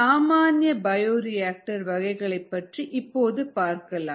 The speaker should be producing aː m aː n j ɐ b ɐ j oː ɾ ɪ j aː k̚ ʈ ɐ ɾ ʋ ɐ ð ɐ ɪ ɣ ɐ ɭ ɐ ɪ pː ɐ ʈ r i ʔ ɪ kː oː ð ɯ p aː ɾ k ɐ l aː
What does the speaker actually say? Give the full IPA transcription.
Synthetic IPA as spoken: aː m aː n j ɐ b ɐ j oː ɾ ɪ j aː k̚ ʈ ɐ ɾ ʋ ɐ ɣ ɐ ɪ ɣ ɐ ɭ ɐ ɪ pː ɐ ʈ r i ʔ ɪ pː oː ð ɯ p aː ɾ k ɐ l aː